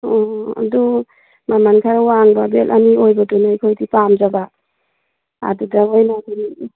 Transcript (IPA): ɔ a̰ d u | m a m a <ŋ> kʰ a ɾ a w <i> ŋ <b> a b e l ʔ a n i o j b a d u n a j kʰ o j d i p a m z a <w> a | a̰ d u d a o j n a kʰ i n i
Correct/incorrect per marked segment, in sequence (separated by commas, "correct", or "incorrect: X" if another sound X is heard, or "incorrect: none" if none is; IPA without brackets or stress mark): incorrect: n, incorrect: a, correct, incorrect: b